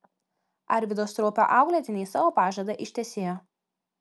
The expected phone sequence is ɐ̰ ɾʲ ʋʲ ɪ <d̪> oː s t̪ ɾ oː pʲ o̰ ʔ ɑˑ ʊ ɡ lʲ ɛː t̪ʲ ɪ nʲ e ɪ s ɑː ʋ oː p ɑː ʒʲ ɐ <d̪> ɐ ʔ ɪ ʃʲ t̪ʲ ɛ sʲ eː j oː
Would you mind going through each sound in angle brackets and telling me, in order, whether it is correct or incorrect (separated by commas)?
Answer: correct, correct